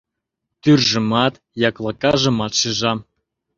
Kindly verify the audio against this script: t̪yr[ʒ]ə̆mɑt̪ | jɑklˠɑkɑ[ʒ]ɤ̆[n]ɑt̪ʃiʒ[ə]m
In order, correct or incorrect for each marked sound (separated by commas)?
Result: correct, correct, incorrect, incorrect